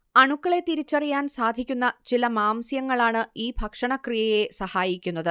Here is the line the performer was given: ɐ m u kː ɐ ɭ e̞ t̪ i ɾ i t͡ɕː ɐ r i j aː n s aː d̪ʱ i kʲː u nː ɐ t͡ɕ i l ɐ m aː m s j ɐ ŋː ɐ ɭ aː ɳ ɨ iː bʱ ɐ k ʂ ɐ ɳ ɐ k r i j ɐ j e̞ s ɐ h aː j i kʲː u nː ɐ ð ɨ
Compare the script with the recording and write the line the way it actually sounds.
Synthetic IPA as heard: ɐ ɳ u kː ɐ ɭ e̞ t̪ i ɾ i t͡ɕː ɐ r i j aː n s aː d̪ʱ i kʲː u nː ɐ t͡ɕ i l ɐ m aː m s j ɐ ŋː ɐ ɭ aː ɳ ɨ iː bʱ ɐ k ʂ ɐ ɳ ɐ k r i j ɐ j e̞ s ɐ h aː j i kʲː u nː ɐ ð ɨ